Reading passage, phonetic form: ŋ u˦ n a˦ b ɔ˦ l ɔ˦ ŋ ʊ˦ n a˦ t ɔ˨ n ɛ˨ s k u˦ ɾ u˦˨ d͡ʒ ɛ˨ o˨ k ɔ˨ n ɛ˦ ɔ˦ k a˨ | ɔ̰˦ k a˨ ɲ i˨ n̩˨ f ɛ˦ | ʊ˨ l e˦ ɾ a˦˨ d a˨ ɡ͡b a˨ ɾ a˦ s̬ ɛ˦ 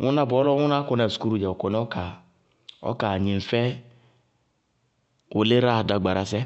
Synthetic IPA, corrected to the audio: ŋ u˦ n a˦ b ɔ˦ l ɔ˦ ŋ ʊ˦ n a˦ k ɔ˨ n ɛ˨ s k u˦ ɾ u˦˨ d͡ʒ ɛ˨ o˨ k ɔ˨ n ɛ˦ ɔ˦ k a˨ | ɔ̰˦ k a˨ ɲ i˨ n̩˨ f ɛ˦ | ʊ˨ l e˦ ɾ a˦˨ d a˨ ɡ͡b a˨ ɾ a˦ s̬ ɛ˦